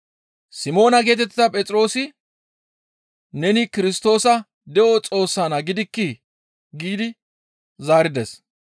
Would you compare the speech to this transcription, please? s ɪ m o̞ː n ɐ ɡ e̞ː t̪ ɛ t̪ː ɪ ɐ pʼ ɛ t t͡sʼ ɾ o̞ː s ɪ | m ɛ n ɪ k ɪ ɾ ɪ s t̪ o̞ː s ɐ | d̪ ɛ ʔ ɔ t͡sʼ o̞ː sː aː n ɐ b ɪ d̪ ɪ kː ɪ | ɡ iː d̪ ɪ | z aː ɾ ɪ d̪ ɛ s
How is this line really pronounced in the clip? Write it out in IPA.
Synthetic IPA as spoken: s ɪ m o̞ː n ɐ ɡ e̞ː t̪ ɛ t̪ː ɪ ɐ pʼ ɛ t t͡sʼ ɾ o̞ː s ɪ | n ɛ n ɪ k ɪ ɾ ɪ s t̪ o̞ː s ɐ | d̪ ɛ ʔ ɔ t͡sʼ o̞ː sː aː n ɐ ɡ ɪ d̪ ɪ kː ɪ | ɡ iː d̪ ɪ | z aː ɾ ɪ d̪ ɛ s